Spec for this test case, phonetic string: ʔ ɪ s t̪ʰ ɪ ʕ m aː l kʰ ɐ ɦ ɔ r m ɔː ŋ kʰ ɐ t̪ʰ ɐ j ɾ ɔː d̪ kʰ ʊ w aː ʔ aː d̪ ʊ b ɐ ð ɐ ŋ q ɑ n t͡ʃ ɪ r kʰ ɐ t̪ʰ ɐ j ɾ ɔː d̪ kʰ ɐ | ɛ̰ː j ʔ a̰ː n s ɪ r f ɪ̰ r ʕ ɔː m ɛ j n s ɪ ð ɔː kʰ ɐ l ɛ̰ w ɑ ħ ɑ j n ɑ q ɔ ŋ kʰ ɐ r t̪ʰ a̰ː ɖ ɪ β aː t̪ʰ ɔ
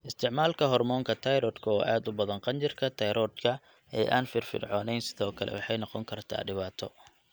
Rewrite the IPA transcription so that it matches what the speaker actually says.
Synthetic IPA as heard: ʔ ɪ s t̪ʰ ɪ ʕ m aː l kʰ ɐ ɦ ɔ r m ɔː ŋ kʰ ɐ t̪ʰ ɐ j ɾ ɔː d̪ kʰ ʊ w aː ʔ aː d̪ ʊ b ɐ ð ɐ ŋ q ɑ n t͡ʃ ɪ r kʰ ɐ t̪ʰ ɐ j ɾ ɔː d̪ kʰ ɐ | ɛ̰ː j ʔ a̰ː n f ɪ r f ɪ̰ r ʕ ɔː n ɛ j n s ɪ ð ɔː kʰ ɐ l ɛ̰ w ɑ ħ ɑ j n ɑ q ɔ ŋ kʰ ɐ r t̪ʰ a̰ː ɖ ɪ β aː t̪ʰ ɔ